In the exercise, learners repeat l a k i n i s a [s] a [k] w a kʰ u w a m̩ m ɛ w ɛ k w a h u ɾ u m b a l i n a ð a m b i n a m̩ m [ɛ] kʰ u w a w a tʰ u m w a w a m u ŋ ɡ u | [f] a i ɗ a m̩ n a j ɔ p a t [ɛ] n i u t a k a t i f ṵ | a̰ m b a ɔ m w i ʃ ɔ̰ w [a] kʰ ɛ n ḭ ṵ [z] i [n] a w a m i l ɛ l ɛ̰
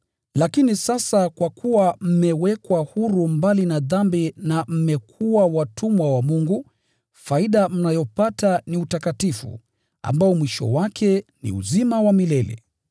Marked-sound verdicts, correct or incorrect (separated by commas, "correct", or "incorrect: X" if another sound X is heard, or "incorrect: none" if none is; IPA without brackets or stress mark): correct, correct, correct, correct, incorrect: a, correct, correct, incorrect: m